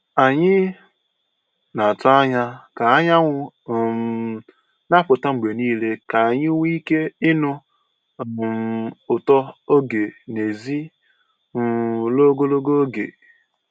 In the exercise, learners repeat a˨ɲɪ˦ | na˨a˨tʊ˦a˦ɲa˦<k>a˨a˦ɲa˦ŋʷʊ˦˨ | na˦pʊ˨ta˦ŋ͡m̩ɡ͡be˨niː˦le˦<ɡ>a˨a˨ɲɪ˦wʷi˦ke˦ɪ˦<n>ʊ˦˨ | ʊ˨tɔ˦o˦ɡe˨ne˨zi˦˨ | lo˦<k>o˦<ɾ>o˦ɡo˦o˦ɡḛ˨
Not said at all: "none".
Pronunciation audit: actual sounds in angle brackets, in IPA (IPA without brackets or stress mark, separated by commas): k, k, n, ɡ, l